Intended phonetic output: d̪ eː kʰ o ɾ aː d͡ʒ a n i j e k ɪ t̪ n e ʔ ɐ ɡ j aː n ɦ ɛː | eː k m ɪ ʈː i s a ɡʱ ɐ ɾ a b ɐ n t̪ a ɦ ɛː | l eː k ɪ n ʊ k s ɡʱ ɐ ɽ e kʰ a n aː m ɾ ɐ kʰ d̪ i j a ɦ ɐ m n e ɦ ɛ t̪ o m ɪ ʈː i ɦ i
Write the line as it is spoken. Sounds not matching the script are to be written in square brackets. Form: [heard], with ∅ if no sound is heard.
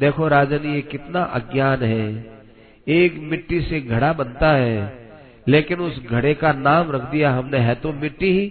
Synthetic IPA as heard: d̪ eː kʰ o ɾ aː d͡ʒ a n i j e k ɪ t̪ n [a] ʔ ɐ ɡ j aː n ɦ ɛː | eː k m ɪ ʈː i s [e] ɡʱ ɐ [ɽ] a b ɐ n t̪ a ɦ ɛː | l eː k ɪ n ʊ [∅] s ɡʱ ɐ ɽ e [k] a n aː m ɾ ɐ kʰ d̪ i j a ɦ ɐ m n e ɦ ɛ t̪ o m ɪ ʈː i ɦ i